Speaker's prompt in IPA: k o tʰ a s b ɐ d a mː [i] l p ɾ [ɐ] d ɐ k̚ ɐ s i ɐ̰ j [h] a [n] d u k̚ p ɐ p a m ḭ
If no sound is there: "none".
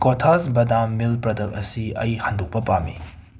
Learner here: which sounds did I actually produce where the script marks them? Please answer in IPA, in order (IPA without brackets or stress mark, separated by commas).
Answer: i, ɐ, h, n